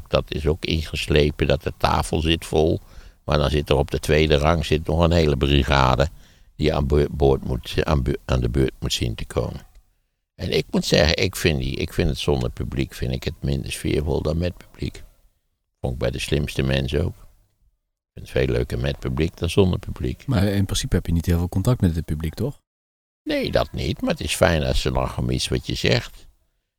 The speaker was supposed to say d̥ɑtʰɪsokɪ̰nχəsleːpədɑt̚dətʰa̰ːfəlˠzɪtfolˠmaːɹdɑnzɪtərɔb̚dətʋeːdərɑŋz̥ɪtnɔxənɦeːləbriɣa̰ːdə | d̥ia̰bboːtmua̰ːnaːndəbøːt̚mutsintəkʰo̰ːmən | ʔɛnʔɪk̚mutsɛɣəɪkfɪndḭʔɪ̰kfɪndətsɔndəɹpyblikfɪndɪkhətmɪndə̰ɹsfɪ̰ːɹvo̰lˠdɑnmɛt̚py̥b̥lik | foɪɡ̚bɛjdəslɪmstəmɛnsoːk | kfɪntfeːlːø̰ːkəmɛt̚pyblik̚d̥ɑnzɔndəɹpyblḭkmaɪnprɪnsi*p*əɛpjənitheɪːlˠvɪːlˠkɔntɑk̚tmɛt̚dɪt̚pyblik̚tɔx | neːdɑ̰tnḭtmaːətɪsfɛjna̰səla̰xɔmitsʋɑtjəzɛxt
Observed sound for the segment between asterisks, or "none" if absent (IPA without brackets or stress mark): p